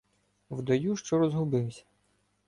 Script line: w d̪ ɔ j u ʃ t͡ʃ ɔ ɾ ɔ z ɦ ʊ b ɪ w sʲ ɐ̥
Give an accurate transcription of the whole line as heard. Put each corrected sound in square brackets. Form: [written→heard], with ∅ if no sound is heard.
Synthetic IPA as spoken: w d̪ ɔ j u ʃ t͡ʃ ɔ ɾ ɔ z ɦ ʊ b ɪ w sʲ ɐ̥